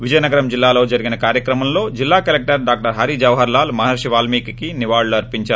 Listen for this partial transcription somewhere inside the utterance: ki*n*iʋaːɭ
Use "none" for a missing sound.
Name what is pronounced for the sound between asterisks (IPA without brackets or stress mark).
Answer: n